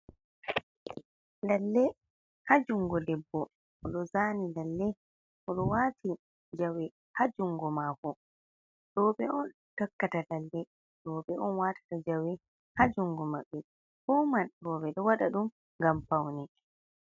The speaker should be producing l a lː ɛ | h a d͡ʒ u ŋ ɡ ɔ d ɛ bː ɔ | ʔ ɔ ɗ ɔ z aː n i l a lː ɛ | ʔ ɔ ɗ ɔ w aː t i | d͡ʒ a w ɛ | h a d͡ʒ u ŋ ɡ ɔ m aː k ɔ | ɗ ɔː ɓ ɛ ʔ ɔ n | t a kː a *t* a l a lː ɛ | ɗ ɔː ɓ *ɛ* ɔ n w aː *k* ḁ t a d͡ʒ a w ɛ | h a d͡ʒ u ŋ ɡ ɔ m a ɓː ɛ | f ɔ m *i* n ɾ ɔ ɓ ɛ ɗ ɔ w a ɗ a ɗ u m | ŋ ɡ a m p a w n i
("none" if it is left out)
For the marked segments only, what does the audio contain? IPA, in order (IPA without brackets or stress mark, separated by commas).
t, ɛ, t, a